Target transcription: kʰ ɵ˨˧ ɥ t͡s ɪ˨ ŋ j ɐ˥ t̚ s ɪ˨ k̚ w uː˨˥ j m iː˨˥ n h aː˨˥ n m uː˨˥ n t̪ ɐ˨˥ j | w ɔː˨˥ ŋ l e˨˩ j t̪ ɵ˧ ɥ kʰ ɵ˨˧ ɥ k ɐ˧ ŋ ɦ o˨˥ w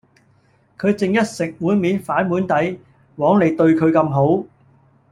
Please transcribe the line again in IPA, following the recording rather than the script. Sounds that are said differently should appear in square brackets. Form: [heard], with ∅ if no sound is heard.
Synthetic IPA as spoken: kʰ ɵ˨˧ ɥ t͡s ɪ˨ ŋ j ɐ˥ t̚ s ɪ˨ k̚ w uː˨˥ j m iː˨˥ n [f] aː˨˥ n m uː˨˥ n t̪ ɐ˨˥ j | w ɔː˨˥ ŋ l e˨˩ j t̪ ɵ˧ ɥ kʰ ɵ˨˧ ɥ k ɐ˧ [m] ɦ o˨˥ w